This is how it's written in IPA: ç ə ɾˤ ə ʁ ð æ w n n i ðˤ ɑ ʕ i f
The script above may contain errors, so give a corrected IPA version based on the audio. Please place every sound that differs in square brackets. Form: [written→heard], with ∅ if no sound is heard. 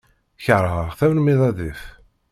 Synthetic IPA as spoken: ç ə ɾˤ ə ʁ [ð→θ] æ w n [n→m] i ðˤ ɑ [ʕ→ð] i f